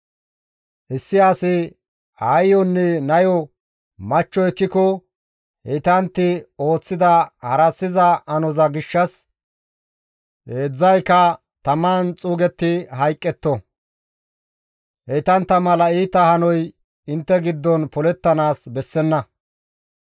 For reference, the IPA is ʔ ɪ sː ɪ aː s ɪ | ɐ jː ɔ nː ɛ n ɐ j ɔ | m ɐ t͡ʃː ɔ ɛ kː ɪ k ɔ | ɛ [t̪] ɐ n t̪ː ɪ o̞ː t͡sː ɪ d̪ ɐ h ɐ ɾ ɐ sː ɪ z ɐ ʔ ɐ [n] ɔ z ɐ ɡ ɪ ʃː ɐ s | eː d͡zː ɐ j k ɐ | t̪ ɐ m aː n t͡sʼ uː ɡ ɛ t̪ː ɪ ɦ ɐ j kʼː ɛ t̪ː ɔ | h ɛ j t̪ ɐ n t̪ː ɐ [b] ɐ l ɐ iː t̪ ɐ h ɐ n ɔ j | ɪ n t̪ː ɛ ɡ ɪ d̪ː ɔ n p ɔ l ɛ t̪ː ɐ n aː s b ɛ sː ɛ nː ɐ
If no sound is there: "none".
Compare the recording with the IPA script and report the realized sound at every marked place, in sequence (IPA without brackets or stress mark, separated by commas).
t̪, n, m